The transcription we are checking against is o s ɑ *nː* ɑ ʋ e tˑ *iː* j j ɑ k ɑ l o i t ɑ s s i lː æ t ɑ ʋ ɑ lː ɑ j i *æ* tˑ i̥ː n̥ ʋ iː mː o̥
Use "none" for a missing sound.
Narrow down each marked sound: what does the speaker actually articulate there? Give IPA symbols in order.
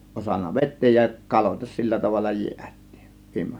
nː, eː, æ

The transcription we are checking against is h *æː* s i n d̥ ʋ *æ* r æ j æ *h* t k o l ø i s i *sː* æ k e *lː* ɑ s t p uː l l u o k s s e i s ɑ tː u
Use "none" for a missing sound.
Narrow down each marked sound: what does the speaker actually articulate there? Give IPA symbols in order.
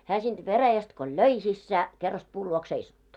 æː, e, s, sː, rː

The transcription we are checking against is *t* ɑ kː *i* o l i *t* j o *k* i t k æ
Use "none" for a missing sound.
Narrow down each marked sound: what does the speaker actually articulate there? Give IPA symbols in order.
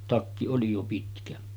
t, i, none, p

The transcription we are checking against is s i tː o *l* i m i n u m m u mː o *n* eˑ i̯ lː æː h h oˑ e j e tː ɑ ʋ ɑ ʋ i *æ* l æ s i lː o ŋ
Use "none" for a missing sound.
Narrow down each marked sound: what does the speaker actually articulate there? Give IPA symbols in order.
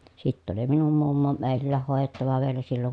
l, m, e

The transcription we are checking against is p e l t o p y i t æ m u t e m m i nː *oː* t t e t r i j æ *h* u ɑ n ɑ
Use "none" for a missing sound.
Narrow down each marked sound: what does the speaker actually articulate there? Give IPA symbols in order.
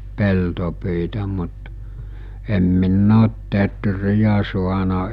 oː, s

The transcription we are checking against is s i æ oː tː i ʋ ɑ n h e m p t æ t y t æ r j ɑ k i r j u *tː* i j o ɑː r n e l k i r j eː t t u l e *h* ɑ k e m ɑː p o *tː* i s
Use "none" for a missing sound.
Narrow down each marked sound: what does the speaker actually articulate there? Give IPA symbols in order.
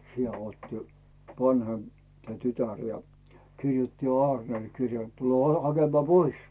tː, h, none

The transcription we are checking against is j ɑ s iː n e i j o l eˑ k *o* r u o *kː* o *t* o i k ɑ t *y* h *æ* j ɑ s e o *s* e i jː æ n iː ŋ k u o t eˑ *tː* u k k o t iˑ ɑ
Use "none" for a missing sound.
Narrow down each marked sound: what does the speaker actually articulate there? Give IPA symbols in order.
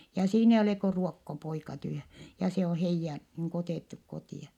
o, kː, p, y, æ, h, tː

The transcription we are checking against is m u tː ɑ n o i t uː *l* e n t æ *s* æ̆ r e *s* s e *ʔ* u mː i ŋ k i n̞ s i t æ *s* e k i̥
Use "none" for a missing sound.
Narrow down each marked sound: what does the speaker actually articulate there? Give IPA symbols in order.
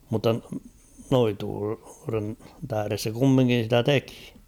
r, h, s, k, t

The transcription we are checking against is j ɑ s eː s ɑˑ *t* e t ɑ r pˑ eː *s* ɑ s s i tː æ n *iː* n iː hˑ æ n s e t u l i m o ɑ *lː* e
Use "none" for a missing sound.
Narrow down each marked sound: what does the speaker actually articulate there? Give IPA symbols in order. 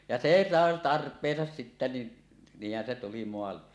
none, s, i, lː

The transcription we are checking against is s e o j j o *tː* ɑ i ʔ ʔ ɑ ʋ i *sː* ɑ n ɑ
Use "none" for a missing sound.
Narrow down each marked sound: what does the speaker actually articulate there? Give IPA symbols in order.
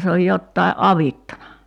tː, tː

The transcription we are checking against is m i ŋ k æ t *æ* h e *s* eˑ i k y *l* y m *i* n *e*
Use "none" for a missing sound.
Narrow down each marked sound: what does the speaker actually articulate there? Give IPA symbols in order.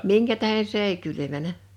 æ, s, l, æ, æ

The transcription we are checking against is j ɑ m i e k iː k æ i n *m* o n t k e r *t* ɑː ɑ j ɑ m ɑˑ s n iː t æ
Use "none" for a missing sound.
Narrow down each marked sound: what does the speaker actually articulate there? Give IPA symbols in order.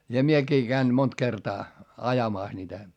m, t

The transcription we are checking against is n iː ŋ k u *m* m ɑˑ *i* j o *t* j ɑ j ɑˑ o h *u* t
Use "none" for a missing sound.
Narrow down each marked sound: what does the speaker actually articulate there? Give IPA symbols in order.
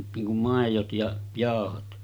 m, e, t, o

